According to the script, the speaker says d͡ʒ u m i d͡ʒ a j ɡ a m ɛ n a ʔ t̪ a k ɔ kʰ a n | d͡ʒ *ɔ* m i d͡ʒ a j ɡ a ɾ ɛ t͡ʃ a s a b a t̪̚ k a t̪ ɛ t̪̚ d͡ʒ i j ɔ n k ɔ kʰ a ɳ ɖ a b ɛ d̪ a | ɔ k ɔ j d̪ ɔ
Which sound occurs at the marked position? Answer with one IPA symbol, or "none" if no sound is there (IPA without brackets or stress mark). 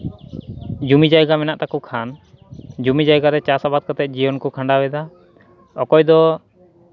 u